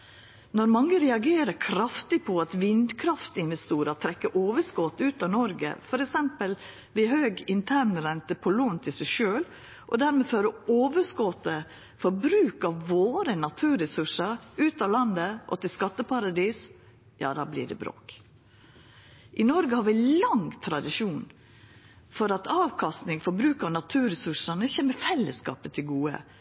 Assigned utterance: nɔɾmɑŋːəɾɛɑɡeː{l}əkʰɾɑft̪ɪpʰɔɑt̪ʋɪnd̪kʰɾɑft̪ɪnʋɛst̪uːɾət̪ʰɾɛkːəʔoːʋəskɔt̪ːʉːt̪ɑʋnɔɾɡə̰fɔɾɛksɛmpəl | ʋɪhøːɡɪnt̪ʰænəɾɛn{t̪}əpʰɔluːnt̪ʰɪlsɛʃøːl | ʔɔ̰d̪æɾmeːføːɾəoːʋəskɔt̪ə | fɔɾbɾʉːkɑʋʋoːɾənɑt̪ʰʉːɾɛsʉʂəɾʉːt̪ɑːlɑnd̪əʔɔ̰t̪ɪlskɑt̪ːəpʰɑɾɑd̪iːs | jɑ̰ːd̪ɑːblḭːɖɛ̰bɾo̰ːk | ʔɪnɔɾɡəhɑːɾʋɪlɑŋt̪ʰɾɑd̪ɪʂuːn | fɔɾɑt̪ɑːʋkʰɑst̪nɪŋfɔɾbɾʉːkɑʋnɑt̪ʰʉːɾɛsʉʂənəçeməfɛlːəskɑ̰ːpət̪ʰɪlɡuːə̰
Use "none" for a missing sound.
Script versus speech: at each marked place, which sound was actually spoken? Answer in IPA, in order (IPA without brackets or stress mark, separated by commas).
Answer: ɾ, t̪